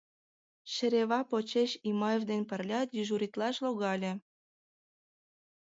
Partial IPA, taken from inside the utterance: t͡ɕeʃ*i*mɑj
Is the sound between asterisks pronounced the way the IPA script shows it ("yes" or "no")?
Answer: yes